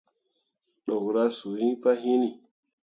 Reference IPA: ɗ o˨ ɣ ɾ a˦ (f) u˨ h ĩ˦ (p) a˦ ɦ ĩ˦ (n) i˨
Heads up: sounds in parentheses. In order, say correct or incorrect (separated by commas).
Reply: incorrect, correct, correct